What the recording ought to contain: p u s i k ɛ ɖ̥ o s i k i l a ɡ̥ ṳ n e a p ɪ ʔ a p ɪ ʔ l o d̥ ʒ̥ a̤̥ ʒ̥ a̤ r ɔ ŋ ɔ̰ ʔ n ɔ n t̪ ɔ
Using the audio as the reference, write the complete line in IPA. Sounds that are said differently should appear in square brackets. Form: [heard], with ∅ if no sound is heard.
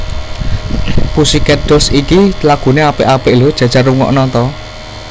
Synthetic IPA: p u s i k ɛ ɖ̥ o s i k i l a ɡ̥ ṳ n e a p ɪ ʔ a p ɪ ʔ l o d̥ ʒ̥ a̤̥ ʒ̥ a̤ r [u] ŋ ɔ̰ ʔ n ɔ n t̪ ɔ